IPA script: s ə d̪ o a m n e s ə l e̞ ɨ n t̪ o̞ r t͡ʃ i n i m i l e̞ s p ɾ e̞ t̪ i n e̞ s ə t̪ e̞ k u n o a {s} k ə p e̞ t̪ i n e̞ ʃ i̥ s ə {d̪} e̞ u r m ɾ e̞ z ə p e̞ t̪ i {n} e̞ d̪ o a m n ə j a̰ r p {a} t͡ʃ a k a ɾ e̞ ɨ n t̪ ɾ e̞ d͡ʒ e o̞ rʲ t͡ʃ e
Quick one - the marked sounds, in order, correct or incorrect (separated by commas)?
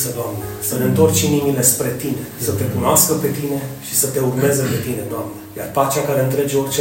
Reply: correct, incorrect, correct, correct